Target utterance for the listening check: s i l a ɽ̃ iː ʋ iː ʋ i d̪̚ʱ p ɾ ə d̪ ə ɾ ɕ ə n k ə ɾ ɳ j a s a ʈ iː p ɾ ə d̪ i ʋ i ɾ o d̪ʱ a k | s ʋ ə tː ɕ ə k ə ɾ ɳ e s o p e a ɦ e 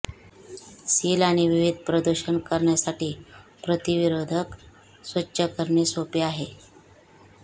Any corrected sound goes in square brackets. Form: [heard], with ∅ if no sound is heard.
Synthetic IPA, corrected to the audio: s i l a ɽ̃ [i] ʋ [i] ʋ i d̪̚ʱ p ɾ ə d̪ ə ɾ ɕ ə n k ə ɾ ɳ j a s a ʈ iː p ɾ ə [t̪] i ʋ i ɾ o d̪ʱ [ə] k | s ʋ ə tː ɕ ə k ə ɾ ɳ e s o p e a ɦ e

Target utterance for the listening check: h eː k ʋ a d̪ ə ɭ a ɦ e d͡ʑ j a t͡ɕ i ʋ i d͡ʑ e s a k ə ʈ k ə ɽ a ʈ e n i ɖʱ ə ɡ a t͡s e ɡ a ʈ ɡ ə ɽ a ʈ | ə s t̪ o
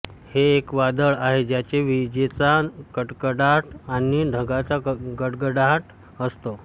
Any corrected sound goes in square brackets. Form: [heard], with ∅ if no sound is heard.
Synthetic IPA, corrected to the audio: h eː k ʋ a d̪ ə ɭ a ɦ e d͡ʑ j a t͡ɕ [e] ʋ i d͡ʑ e [t͡s] a k ə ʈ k ə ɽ a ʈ [a] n i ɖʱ ə ɡ a t͡s [a] ɡ [ə] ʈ ɡ ə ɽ a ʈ | ə s t̪ o

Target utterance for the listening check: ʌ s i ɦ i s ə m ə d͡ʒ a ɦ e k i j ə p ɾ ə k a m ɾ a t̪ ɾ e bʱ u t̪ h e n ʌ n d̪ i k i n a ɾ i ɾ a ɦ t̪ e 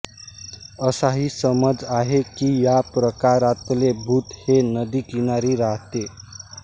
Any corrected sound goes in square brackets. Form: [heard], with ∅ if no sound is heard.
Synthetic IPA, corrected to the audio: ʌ s [a] ɦ i s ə m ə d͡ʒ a ɦ e k i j [a] p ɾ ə k a [∅] ɾ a t̪ [l] e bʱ u t̪ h e n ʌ [∅] d̪ i k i n a ɾ i ɾ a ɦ t̪ e

